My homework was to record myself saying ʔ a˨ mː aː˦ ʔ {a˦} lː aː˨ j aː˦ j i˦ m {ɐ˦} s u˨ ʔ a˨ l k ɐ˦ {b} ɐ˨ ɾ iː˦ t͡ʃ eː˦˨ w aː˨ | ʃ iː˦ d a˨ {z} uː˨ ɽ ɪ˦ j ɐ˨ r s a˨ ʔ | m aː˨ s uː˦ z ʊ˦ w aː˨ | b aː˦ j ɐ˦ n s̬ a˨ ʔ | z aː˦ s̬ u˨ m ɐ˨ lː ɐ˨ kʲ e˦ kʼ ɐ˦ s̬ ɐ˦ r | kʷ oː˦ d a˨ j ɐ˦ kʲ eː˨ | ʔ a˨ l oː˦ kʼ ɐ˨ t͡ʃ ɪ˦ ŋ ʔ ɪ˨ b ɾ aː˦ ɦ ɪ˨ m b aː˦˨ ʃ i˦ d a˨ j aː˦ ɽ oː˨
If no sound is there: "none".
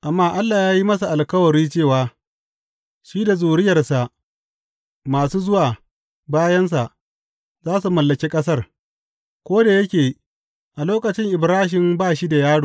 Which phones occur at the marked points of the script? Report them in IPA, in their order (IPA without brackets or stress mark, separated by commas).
a˦, ɐ˦, w, z